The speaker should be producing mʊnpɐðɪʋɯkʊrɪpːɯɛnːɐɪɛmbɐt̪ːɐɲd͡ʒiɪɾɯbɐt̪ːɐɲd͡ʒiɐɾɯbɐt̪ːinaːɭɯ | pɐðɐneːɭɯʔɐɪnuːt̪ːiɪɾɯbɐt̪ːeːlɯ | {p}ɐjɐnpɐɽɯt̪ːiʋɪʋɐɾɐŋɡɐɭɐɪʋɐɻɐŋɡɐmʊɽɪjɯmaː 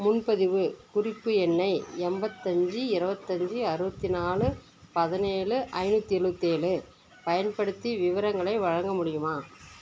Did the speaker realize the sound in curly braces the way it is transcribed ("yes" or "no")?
yes